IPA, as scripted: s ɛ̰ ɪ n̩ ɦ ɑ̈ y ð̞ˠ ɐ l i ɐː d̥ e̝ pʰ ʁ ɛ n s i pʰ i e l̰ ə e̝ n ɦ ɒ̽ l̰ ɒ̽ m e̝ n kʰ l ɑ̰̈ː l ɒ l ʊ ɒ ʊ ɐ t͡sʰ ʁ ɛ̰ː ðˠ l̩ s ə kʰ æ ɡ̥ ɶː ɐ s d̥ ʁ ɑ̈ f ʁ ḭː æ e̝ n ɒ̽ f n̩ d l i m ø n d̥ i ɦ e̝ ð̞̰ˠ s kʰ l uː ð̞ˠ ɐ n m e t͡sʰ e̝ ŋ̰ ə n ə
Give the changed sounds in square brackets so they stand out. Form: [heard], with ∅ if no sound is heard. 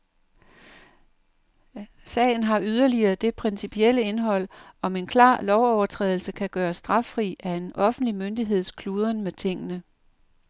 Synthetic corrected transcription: s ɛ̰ ɪ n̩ ɦ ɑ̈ y ð̞ˠ ɐ l i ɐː d̥ e̝ pʰ ʁ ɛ n s i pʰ i e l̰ ə e̝ n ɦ ɒ̽ l̰ ɒ̽ m e̝ n kʰ l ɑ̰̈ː l ɒ [∅] ʊ ɒ ʊ ɐ t͡sʰ ʁ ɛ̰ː ðˠ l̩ s ə kʰ æ ɡ̥ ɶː ɐ s d̥ ʁ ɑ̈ f ʁ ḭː æ e̝ n ɒ̽ f n̩ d l i m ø n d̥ i ɦ e̝ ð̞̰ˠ s kʰ l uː ð̞ˠ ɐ n m e t͡sʰ e̝ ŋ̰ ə n ə